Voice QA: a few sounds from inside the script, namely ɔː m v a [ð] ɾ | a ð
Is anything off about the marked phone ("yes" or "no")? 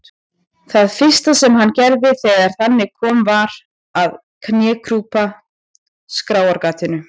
yes